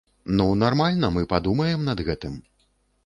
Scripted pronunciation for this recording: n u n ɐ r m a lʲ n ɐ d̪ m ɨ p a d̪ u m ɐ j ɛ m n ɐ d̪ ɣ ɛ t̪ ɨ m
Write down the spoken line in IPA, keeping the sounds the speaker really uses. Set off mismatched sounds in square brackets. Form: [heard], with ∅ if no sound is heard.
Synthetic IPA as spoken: n u n [a] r m a lʲ n ɐ [∅] m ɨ p a d̪ u m ɐ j ɛ m n ɐ d̪ ɣ ɛ t̪ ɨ m